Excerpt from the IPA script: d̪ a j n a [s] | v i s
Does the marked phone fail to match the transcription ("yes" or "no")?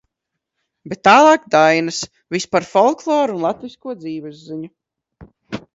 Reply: no